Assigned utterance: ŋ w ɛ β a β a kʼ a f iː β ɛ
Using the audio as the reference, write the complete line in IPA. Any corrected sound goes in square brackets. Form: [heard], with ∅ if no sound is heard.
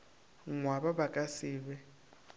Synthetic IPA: ŋ w [a] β a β a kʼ a [s] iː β ɛ